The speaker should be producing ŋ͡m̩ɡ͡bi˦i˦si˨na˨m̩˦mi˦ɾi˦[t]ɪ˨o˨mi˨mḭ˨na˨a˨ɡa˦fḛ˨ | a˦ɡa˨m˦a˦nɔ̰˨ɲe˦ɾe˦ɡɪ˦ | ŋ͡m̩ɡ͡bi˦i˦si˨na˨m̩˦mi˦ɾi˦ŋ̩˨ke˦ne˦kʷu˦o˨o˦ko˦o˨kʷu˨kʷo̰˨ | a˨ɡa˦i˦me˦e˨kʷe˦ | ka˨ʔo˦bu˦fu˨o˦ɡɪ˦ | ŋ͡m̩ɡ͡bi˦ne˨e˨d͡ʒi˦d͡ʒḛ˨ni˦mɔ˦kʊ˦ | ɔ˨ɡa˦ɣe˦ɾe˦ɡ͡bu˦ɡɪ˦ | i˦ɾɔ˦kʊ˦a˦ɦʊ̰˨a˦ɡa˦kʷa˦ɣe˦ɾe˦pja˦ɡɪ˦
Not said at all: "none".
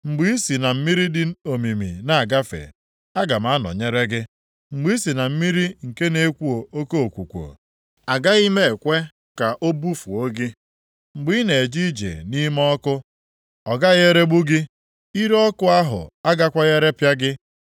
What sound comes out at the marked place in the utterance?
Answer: d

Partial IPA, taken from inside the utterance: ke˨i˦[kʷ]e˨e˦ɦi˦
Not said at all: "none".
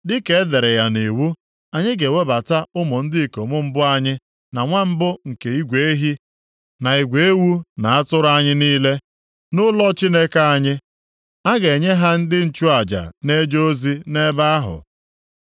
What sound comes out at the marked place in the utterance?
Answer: ɡʷ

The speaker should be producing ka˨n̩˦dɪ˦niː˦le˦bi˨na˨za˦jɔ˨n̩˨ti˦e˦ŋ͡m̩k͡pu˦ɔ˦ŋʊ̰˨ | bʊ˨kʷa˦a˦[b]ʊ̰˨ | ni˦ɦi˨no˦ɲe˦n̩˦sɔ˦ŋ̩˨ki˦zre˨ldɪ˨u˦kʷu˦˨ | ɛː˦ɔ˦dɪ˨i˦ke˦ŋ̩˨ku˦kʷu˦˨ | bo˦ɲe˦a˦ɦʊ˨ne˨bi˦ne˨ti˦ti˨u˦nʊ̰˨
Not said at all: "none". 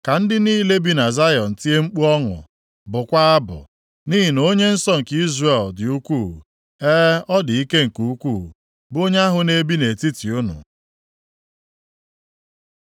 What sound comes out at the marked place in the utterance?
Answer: b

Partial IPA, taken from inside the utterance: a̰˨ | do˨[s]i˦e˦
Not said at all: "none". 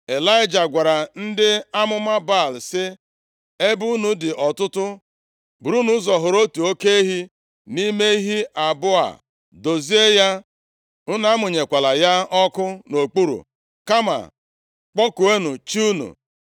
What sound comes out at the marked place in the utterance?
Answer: z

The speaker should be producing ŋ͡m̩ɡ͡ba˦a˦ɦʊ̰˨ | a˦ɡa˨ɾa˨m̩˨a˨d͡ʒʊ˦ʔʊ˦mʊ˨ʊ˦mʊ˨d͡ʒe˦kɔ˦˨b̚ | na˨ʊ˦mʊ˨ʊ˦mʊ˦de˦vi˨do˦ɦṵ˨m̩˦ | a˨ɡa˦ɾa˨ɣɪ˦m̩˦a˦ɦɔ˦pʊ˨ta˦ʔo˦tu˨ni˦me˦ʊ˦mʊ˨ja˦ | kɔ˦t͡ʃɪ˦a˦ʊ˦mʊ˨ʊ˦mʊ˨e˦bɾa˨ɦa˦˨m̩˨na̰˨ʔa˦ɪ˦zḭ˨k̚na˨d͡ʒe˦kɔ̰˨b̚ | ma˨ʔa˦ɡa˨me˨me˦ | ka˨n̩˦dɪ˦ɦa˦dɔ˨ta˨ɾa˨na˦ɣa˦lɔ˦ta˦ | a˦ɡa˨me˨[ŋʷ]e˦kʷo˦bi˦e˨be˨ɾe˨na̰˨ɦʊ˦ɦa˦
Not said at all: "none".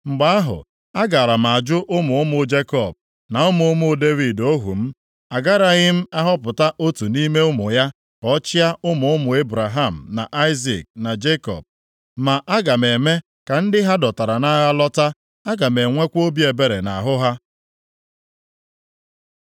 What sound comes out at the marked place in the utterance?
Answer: ŋʷ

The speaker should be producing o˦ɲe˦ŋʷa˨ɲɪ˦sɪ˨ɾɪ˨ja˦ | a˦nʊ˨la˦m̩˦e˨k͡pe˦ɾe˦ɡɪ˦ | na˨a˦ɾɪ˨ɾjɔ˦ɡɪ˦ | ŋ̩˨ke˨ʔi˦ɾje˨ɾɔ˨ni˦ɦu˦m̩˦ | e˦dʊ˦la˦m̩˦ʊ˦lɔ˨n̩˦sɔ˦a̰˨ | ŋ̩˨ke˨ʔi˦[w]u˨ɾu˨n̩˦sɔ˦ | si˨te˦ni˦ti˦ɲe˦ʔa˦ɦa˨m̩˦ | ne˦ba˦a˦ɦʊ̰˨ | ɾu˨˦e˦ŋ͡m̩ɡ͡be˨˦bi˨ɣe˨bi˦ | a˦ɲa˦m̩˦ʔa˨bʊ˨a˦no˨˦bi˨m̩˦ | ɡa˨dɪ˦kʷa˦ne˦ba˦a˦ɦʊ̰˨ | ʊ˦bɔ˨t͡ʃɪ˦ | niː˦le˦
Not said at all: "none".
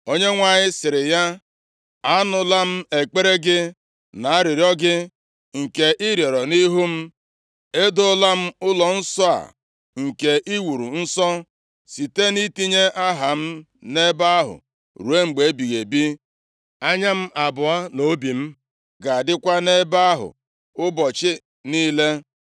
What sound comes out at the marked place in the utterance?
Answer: w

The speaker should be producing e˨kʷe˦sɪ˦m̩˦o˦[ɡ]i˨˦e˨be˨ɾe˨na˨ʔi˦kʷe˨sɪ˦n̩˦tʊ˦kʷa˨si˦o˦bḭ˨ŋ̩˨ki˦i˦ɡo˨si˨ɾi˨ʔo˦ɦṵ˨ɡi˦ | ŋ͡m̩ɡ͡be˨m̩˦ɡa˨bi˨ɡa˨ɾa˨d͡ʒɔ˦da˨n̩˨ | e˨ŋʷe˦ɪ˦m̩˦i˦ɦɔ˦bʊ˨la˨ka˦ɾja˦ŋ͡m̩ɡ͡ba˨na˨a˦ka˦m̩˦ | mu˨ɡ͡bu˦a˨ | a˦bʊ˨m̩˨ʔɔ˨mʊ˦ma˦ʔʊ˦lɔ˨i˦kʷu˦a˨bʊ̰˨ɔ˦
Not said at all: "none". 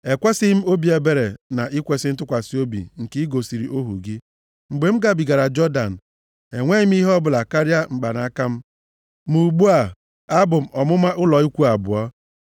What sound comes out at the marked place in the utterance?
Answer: b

